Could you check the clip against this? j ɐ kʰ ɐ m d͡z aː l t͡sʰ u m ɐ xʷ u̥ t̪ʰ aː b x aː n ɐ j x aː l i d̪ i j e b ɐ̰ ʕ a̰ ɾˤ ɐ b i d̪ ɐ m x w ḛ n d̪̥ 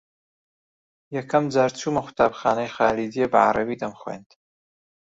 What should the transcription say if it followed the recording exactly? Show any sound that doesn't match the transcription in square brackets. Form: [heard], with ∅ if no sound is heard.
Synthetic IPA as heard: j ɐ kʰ ɐ m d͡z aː [ɾ] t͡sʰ u m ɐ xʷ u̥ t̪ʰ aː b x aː n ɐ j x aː l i d̪ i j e b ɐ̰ ʕ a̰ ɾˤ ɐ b i d̪ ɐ m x w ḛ n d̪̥